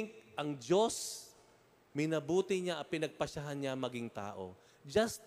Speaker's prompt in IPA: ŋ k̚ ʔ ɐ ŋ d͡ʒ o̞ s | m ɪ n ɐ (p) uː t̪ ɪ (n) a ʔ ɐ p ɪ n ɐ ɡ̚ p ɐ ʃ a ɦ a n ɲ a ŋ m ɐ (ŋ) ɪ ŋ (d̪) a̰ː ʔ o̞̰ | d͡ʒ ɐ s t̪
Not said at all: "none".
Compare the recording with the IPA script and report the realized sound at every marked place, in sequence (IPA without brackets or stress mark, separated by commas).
b, ɲ, ɡ, t̪